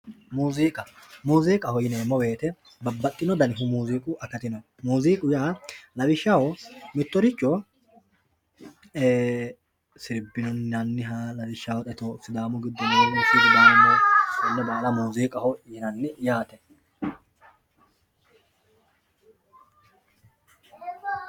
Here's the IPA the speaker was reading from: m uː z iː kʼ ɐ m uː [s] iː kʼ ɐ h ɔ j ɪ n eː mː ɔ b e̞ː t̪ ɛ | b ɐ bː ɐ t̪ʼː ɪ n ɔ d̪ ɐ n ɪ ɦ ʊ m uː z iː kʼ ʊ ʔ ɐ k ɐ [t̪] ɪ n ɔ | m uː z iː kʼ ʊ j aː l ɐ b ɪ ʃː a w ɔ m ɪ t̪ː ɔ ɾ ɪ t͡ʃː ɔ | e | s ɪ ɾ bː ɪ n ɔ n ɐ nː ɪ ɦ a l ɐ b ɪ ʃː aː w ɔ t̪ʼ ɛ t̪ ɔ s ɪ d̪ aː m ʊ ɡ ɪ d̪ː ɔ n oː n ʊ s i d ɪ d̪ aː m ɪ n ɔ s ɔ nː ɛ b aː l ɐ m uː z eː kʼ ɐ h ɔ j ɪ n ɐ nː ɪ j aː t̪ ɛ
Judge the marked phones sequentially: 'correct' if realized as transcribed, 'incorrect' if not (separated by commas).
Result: incorrect, correct